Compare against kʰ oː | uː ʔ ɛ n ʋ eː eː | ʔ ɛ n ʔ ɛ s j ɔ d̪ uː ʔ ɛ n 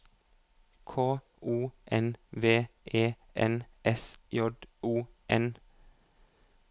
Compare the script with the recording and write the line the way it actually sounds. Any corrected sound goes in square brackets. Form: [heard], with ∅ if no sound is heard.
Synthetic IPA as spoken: kʰ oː | uː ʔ ɛ n ʋ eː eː | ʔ ɛ n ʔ ɛ s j ɔ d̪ uː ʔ ɛ n